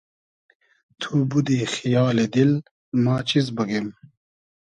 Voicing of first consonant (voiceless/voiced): voiceless